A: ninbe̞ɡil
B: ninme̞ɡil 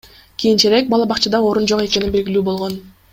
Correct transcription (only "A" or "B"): A